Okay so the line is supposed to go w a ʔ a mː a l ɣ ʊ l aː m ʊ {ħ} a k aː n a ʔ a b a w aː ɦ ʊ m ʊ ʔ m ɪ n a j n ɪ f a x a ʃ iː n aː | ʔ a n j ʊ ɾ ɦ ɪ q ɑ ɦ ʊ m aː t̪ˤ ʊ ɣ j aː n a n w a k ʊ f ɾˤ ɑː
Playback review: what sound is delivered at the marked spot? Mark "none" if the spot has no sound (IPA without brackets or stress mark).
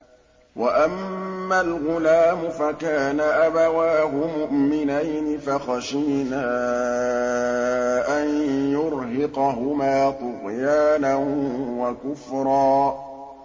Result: f